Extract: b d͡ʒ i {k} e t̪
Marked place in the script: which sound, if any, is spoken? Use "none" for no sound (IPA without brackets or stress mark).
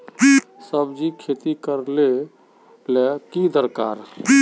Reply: kʰ